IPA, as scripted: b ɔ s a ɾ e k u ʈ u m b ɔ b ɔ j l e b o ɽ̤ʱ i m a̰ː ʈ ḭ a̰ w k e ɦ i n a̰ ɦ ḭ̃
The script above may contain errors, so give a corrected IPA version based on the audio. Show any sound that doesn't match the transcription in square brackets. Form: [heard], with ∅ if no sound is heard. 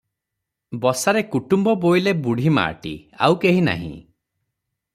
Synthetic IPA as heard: b ɔ s a ɾ e k u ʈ u m b ɔ b [o] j l e b [u] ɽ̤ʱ i m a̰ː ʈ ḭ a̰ w k e ɦ i n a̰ ɦ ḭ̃